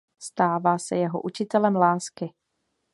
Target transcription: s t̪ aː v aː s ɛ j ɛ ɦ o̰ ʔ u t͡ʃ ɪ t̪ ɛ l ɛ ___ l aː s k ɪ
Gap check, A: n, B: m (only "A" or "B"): B